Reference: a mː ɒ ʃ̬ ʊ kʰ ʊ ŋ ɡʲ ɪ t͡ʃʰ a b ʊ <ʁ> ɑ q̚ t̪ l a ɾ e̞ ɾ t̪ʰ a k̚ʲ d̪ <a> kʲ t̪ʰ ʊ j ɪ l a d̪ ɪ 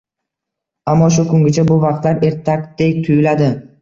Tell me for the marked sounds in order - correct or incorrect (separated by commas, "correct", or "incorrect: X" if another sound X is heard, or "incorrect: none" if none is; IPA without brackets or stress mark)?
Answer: incorrect: v, incorrect: e